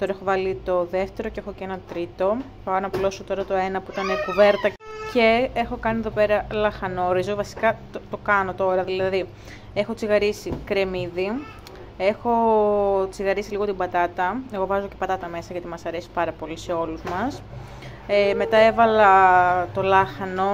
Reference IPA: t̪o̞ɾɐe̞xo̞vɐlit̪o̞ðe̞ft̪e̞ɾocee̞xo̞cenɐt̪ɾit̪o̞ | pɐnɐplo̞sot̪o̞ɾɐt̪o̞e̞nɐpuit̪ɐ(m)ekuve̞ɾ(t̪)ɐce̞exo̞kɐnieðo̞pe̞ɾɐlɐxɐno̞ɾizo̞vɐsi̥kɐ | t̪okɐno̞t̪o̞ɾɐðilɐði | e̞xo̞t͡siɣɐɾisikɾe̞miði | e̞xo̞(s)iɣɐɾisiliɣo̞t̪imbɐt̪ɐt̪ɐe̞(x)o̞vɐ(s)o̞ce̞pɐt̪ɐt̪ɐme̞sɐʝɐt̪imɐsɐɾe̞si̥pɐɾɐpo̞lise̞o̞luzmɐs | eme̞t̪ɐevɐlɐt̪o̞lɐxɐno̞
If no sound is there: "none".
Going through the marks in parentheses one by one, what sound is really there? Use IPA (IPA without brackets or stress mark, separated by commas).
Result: n, t̪, t͡s, ɣ, z